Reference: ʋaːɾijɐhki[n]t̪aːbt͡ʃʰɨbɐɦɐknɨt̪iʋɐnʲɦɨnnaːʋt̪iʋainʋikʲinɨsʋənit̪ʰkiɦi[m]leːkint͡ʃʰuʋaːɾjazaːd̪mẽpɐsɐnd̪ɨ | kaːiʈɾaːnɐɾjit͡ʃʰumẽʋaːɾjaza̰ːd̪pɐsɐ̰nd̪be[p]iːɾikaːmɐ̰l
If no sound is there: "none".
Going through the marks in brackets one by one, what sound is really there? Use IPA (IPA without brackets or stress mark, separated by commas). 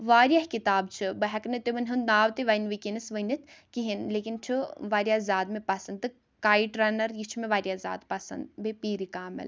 none, n, p